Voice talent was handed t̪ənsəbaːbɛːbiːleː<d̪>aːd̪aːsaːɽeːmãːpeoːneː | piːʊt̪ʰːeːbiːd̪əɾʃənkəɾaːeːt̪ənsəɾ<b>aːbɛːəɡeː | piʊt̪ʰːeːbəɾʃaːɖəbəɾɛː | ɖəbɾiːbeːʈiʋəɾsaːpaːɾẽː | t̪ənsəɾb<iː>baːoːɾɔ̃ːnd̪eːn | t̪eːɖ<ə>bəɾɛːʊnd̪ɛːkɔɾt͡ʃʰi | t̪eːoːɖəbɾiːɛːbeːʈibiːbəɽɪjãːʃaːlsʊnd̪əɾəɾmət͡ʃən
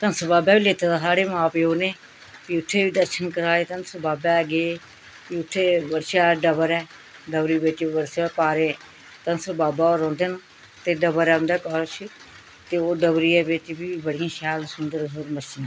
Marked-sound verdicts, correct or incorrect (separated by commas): incorrect, correct, incorrect, correct